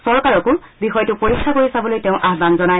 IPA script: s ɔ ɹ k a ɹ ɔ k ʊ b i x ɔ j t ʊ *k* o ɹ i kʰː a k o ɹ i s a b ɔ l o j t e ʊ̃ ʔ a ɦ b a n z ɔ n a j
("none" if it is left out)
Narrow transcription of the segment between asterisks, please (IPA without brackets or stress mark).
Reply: p